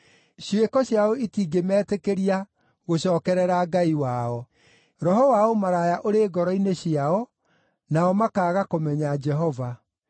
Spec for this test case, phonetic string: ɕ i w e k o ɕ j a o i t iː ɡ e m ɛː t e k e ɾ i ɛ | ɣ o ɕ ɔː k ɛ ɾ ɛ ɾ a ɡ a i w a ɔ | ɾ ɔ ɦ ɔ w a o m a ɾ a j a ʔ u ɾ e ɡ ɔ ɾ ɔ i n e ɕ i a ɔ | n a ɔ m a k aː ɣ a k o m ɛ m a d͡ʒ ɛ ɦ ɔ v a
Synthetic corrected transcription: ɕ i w e k ɔ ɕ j a o i t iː ɡ e m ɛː t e k e ɾ i a | ɣ o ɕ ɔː k ɛ ɾ ɛ ɾ a ɡ a i w a ɔ | ɾ ɔ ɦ ɔ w a o m a ɾ a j a ʔ o ɾ e ɡ ɔ ɾ ɔ i n e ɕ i a ɔ | n a ɔ m a k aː ɣ a k o m ɛ ɲ a d͡ʒ ɛ ɦ ɔ v a